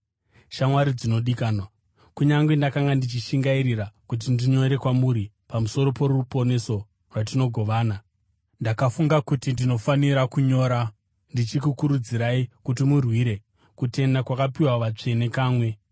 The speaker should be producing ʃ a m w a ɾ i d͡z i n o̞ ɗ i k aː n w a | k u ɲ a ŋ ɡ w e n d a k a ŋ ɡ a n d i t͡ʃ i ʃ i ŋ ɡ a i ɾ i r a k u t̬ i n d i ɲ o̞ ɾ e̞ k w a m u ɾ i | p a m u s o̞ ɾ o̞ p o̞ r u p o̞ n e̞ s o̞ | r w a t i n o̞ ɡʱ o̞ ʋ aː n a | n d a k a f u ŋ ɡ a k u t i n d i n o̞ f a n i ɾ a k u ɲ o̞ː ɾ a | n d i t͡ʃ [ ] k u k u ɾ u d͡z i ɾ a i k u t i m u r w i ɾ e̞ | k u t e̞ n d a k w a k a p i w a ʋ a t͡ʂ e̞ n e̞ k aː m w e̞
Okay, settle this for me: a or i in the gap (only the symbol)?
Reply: i